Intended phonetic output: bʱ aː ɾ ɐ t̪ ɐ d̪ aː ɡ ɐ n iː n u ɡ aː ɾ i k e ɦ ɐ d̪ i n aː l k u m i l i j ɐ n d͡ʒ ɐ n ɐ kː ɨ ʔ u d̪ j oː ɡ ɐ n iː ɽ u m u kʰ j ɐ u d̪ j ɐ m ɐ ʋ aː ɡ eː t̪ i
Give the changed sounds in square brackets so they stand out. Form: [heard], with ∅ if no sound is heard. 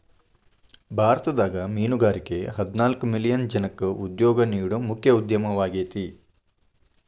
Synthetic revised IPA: bʱ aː ɾ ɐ t̪ ɐ d̪ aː ɡ ɐ [m] iː n u ɡ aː ɾ i k e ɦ ɐ d̪ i n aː l k u m i l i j ɐ n d͡ʒ ɐ n ɐ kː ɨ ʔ u d̪ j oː ɡ ɐ n iː ɽ u m u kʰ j ɐ u d̪ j ɐ m ɐ ʋ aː ɡ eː t̪ i